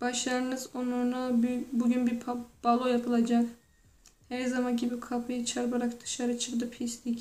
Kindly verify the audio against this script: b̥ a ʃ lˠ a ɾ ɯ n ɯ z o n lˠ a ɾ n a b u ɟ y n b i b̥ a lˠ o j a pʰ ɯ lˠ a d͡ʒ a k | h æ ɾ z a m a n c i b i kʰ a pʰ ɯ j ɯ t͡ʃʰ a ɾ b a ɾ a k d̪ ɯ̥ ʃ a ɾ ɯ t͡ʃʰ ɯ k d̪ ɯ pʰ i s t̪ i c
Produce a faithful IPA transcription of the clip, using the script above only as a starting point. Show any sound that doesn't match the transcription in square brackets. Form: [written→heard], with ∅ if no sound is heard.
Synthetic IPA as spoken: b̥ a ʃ lˠ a ɾ ɯ n ɯ z o n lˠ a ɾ n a b u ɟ y n b i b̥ a lˠ o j a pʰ ɯ lˠ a d͡ʒ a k | h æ ɾ z a m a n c i b i kʰ a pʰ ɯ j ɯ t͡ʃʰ a ɾ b a ɾ a k d̪ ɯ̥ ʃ a ɾ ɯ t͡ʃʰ ɯ k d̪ ɯ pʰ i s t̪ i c